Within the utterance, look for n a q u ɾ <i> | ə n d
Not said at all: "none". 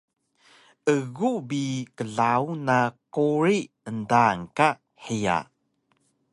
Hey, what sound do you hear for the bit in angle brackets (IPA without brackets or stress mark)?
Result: i